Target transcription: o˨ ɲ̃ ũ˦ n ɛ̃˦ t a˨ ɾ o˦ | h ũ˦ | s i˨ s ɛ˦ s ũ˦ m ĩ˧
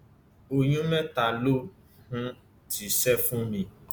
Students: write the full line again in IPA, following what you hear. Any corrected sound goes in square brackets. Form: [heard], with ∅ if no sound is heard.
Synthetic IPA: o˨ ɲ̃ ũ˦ [m] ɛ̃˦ t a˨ [l] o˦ | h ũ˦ | [t] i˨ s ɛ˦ [f] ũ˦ m ĩ˧